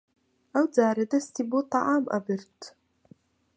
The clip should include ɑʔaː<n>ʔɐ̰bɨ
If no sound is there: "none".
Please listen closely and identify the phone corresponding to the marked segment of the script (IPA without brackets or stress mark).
m